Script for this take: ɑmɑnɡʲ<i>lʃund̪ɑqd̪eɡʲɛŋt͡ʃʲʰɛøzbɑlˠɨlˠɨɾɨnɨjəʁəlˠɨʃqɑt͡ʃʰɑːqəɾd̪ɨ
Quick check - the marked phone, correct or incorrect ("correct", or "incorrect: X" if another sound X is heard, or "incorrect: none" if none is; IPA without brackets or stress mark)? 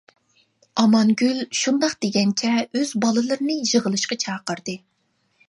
incorrect: y